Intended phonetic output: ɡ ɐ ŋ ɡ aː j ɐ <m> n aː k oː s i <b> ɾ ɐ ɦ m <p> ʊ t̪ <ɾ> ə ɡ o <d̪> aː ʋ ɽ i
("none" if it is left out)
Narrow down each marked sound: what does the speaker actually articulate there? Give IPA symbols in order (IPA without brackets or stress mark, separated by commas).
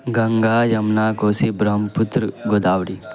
m, b, p, ɾ, d̪